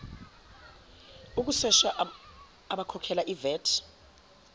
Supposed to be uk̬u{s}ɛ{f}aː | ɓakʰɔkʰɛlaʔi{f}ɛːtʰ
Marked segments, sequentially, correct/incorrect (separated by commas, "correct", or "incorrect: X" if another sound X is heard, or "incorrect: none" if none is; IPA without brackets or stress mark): correct, incorrect: ʃ, incorrect: v